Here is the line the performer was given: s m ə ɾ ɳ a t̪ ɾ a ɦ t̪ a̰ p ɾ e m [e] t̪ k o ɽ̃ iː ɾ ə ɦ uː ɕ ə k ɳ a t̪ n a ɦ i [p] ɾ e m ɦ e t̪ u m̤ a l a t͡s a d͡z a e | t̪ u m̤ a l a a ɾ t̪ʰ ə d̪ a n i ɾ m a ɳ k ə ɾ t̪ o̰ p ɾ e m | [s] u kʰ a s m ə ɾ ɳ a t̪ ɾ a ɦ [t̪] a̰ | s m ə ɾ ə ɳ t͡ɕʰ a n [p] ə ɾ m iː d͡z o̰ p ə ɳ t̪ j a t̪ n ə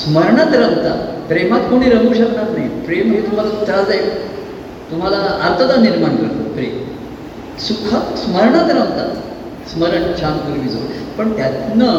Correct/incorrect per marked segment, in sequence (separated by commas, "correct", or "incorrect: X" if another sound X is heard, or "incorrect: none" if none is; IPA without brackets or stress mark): incorrect: a, correct, correct, correct, incorrect: k